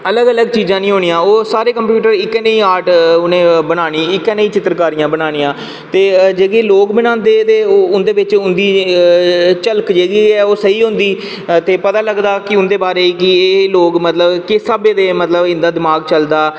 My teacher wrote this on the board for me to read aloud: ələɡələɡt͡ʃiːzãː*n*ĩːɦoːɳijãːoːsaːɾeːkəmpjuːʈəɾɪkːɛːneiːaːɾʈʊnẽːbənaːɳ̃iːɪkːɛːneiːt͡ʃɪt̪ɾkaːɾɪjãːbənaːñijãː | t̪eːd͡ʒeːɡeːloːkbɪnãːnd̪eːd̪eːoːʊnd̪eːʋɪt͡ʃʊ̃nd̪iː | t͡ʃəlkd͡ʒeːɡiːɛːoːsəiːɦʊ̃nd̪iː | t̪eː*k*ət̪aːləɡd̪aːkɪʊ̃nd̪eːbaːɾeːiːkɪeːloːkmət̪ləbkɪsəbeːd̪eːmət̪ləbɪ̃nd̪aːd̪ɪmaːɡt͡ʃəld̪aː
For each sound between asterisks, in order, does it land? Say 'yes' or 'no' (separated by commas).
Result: yes, no